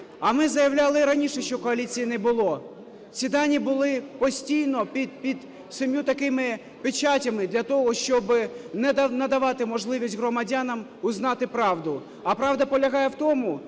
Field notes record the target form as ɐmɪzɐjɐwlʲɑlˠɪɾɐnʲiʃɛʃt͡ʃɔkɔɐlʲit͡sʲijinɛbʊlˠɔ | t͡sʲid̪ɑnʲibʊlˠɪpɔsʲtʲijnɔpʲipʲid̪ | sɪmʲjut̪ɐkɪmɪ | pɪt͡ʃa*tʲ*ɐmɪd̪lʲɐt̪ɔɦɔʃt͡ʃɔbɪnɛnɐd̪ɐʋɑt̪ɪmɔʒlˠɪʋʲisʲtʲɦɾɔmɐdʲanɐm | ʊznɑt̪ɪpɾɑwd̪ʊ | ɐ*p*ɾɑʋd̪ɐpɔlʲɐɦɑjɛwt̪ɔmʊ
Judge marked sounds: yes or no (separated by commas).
yes, yes